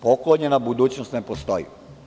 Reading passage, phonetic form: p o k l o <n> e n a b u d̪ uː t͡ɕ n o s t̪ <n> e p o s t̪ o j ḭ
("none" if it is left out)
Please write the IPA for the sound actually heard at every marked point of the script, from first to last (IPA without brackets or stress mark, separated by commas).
ɲ, n